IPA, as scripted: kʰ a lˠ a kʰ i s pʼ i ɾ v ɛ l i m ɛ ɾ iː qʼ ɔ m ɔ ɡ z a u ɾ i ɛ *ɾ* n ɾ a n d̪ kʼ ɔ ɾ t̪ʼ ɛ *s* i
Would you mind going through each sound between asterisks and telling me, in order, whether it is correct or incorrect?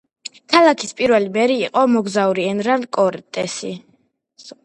incorrect: none, correct

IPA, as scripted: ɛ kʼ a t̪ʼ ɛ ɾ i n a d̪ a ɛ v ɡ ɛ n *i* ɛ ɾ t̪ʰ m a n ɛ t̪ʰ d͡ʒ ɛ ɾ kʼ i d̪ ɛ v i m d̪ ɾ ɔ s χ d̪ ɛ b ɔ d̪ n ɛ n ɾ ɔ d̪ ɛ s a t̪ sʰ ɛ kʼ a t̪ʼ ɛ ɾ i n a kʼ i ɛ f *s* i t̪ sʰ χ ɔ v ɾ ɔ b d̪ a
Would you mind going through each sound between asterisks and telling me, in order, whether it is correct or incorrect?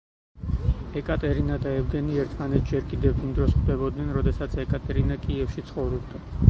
correct, incorrect: ʃ

